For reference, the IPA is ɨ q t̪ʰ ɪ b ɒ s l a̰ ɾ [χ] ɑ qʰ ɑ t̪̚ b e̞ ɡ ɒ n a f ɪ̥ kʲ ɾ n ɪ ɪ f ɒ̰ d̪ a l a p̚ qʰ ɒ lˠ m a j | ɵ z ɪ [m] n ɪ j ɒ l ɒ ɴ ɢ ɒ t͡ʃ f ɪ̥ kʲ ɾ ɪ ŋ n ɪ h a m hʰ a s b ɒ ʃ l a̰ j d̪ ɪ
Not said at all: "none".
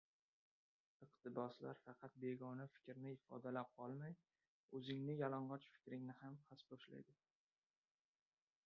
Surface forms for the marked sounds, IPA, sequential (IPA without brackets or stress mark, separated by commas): f, ŋ